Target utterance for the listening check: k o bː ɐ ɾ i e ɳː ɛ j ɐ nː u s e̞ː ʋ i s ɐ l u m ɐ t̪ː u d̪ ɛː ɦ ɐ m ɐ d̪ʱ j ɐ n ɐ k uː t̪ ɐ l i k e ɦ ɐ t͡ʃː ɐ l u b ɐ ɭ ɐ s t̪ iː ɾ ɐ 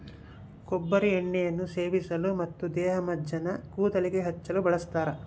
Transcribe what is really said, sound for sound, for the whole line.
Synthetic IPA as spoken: k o bː ɐ ɾ i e ɳː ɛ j ɐ nː u s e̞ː ʋ i s ɐ l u m ɐ t̪ː u d̪ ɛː ɦ ɐ m ɐ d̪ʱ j ɐ n ɐ k uː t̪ ɐ l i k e ɦ ɐ t͡ʃː ɐ l u b ɐ ɭ ɐ s t̪ aː ɾ ɐ